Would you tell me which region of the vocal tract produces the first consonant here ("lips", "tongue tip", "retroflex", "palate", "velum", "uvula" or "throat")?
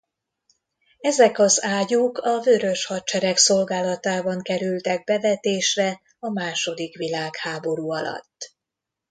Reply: tongue tip